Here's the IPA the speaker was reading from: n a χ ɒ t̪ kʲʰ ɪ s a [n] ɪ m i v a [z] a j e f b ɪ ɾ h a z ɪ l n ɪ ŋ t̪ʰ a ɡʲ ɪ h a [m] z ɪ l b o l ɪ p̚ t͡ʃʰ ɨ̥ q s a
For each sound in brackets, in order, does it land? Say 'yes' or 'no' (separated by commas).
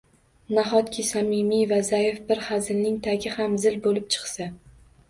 no, yes, yes